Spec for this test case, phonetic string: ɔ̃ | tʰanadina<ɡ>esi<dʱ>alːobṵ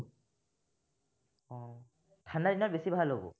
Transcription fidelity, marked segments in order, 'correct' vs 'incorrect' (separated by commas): incorrect, incorrect